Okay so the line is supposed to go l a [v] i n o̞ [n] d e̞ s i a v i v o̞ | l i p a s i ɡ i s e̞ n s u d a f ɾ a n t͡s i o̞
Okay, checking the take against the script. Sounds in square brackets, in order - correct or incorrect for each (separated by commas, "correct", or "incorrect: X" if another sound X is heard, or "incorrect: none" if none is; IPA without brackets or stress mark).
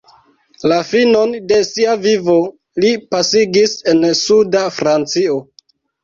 incorrect: f, correct